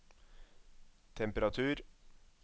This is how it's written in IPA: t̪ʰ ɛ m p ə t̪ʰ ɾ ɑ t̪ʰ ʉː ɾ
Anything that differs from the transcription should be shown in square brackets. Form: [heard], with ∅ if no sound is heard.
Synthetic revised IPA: t̪ʰ ɛ m p ə [∅] ɾ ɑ t̪ʰ ʉː ɾ